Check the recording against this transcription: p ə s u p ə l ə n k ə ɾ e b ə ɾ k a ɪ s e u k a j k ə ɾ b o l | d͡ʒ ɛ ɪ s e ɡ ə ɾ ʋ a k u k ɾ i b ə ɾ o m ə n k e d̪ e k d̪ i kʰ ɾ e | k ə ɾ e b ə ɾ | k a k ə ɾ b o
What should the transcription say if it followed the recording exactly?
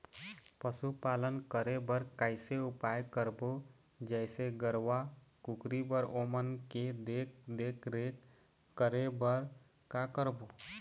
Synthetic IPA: p ə s u p a l ə n k ə ɾ e b ə ɾ k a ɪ s e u p a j k ə ɾ b o | d͡ʒ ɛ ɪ s e ɡ ə ɾ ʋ a k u k ɾ i b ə ɾ o m ə n k e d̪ e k d̪ e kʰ ɾ e | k ə ɾ e b ə ɾ | k a k ə ɾ b o